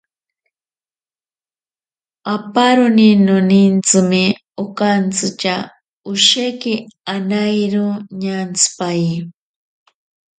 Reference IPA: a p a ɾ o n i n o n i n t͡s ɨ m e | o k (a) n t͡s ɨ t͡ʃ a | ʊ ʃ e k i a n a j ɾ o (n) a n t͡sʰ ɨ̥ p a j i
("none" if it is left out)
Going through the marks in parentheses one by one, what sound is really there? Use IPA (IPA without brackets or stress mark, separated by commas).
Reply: a, ɲ